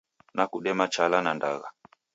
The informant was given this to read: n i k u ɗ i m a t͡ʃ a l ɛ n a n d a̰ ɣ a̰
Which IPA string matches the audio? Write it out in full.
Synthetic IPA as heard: n a k u ɗ ɛ m a t͡ʃ a l a n a n d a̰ ɣ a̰